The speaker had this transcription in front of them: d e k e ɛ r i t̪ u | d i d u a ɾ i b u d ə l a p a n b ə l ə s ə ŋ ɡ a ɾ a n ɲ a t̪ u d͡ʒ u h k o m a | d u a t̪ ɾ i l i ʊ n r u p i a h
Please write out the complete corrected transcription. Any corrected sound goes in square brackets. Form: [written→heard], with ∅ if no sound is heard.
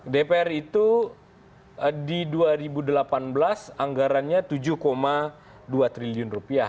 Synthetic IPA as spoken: d e [k→p] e ɛ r i t̪ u | d i d u a ɾ i b u d ə l a p a n b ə l [ə→a] s [ə→a] ŋ ɡ a ɾ a n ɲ a t̪ u d͡ʒ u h k o m a | d u a t̪ ɾ i l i ʊ n r u p i a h